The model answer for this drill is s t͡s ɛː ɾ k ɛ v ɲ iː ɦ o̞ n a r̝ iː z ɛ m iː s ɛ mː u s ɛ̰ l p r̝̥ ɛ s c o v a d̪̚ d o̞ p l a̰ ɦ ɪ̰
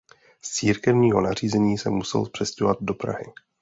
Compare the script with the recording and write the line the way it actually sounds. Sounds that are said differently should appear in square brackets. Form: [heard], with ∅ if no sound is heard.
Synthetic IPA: s t͡s [iː] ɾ k ɛ v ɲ iː ɦ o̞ n a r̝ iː z ɛ [ɲ] iː s ɛ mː u s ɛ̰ l p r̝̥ ɛ s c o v a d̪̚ d o̞ p [ɾ] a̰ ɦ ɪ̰